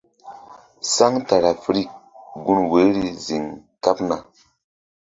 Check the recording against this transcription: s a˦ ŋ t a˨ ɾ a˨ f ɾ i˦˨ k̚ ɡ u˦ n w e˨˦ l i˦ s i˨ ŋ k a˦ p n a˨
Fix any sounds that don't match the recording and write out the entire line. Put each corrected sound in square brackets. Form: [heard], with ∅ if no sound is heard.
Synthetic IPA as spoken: s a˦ ŋ t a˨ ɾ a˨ f ɾ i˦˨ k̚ ɡ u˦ n w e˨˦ [ɾ] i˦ [z] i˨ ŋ k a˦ p n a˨